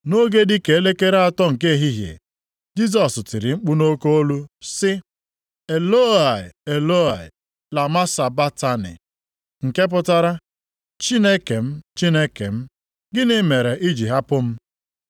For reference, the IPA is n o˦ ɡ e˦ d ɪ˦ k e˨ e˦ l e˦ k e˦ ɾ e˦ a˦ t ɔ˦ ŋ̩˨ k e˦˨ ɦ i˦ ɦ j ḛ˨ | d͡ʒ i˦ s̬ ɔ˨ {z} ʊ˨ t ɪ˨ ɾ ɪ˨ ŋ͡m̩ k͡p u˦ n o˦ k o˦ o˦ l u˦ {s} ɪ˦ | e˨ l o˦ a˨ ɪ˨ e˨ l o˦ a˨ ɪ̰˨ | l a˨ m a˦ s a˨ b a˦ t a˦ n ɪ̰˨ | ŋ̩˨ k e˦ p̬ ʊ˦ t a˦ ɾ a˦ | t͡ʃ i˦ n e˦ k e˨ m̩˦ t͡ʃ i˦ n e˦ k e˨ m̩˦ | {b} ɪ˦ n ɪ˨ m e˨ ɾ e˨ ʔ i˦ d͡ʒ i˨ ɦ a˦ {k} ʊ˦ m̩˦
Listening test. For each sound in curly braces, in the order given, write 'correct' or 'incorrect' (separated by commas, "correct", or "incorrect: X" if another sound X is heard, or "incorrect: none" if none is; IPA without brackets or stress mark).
incorrect: s, correct, incorrect: ɡ, incorrect: p